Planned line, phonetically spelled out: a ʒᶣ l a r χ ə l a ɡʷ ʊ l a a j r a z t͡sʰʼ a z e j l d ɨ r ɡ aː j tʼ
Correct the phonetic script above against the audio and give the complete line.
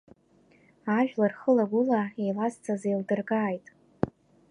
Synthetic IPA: a ʒᶣ l a r χ ə l a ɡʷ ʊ l a e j l a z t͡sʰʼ a z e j l d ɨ r ɡ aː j tʼ